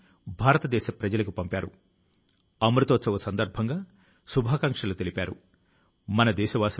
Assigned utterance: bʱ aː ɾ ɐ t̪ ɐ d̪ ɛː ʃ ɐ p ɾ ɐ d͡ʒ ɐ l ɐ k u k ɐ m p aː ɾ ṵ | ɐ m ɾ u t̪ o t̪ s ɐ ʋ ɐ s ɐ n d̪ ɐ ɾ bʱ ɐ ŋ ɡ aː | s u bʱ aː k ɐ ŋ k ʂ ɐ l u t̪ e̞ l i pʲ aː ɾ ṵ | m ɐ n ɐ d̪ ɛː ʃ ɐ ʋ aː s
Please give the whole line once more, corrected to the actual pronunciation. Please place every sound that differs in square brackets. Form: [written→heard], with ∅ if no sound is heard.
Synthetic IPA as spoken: bʱ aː ɾ ɐ t̪ ɐ d̪ ɛː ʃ ɐ p ɾ ɐ d͡ʒ ɐ l ɐ k u [k→p] ɐ m p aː ɾ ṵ | ɐ m ɾ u t̪ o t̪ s ɐ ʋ ɐ s ɐ n d̪ ɐ ɾ bʱ ɐ ŋ ɡ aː | s u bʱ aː k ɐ ŋ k ʂ ɐ l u t̪ e̞ l i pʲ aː ɾ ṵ | m ɐ n ɐ d̪ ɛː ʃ ɐ ʋ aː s